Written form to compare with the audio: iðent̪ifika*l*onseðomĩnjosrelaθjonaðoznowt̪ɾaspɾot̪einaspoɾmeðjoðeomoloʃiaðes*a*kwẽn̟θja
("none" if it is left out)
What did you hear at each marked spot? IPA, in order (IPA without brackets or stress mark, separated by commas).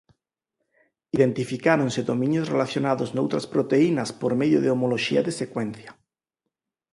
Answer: ɾ, e